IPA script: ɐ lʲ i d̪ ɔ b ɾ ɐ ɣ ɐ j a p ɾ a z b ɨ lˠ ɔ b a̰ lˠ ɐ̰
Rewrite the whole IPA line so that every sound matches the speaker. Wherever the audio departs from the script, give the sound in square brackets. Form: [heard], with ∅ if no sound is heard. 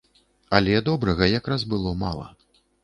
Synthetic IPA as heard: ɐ lʲ [ɛ] d̪ ɔ b ɾ ɐ ɣ ɐ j a [k] ɾ a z b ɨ lˠ ɔ [m] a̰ lˠ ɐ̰